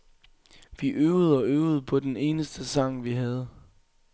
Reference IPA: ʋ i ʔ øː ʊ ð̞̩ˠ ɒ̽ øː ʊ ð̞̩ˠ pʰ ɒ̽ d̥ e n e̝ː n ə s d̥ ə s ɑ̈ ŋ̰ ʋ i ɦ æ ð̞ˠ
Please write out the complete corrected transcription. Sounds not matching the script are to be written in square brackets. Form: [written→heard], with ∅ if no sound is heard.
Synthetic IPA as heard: ʋ i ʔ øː ʊ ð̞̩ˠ ɒ̽ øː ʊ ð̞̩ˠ pʰ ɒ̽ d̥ e n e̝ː n ə s d̥ ə s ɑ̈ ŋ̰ ʋ i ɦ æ ð̞ˠ